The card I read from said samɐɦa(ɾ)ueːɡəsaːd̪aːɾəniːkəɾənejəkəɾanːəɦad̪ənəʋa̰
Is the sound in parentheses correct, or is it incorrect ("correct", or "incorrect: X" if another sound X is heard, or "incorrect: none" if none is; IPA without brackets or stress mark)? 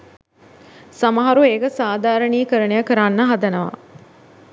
correct